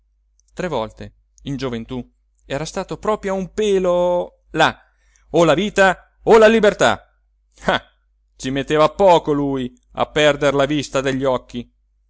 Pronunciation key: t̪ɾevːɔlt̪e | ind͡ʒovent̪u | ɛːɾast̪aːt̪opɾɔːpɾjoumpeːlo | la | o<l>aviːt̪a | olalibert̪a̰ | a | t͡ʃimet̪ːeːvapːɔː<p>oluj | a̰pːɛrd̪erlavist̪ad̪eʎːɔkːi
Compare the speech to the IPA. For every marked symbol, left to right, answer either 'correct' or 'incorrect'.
correct, incorrect: k

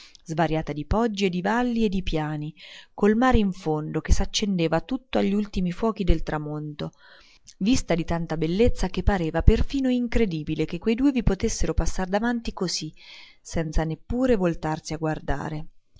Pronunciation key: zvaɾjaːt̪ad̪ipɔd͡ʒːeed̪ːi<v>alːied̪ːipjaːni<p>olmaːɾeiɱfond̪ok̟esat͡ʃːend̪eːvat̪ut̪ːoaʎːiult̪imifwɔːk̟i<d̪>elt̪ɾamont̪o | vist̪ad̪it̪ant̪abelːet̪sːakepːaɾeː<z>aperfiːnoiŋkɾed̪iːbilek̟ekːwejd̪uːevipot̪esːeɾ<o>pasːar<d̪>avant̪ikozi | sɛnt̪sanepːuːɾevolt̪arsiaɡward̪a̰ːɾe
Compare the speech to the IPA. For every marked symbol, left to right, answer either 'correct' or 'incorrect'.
correct, incorrect: k, correct, incorrect: v, correct, correct

